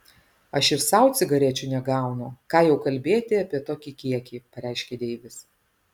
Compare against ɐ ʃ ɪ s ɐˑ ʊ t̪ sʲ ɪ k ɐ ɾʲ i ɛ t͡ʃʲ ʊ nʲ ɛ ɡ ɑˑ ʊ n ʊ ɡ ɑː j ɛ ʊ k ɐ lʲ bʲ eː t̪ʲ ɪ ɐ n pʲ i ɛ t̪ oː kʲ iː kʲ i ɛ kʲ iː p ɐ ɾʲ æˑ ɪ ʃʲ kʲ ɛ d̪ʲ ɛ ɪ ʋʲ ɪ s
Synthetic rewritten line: ɐ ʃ ɪ s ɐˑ ʊ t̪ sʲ ɪ ɡ ɐ ɾʲ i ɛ t͡ʃʲ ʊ nʲ ɛ ɡ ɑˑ ʊ n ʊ k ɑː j ɛ ʊ k ɐ lʲ bʲ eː t̪ʲ ɪ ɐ pʲ i ɛ t̪ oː kʲ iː kʲ i ɛ kʲ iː p ɐ ɾʲ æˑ ɪ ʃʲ kʲ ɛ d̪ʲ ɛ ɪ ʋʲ ɪ s